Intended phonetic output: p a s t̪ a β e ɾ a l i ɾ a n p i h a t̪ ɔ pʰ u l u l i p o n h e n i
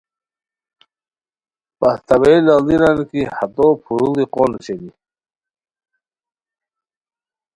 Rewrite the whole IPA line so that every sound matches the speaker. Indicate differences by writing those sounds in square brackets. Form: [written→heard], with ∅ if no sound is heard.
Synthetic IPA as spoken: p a s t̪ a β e [ɾ→l] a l i ɾ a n [p→k] i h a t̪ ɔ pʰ u [l→ɾ] u l i [p→q] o n [h→ɕ] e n i